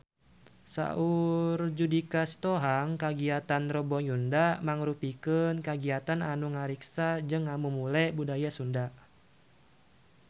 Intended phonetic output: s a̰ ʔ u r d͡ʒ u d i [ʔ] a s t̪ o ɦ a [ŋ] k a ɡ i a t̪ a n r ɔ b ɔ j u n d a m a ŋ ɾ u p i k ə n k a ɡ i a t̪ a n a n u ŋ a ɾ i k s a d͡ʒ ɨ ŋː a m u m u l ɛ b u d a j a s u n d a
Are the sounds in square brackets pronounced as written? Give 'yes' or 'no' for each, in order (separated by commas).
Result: no, yes